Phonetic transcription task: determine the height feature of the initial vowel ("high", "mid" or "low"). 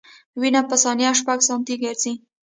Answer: high